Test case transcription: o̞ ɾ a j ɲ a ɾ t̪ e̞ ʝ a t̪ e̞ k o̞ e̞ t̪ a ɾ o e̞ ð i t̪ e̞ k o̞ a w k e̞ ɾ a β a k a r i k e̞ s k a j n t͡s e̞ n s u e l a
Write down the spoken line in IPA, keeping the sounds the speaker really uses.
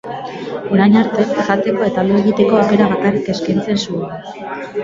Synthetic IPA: o̞ ɾ a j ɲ a ɾ t̪ e̞ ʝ a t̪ e̞ k o̞ e̞ t̪ a l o e̞ ɣ i t̪ e̞ k o̞ a w k e̞ ɾ a β a k a r i k e̞ s k a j n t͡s e̞ n s u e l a